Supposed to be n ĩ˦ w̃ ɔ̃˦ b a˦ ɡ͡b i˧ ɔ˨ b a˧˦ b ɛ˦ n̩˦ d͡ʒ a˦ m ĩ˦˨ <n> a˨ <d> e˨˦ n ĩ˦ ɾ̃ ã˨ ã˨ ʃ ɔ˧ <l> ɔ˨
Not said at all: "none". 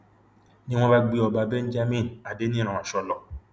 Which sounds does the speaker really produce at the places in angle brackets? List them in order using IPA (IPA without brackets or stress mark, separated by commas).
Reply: n, d, l